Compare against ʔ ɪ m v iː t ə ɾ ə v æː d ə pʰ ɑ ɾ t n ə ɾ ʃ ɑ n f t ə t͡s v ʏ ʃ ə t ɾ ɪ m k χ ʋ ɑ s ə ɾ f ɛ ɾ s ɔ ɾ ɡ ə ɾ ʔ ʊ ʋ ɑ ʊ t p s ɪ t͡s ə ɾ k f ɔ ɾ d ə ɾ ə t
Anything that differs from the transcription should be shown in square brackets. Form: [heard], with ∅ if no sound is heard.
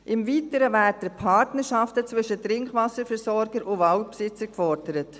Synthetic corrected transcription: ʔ ɪ m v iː t ə ɾ ə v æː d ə pʰ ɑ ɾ t n ə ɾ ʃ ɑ [∅] f t ə t͡s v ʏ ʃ ə t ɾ ɪ [ŋ] k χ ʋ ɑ s ə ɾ f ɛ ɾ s ɔ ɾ ɡ ə ɾ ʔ ʊ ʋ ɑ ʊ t p s ɪ t͡s ə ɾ k f ɔ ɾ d ə ɾ ə t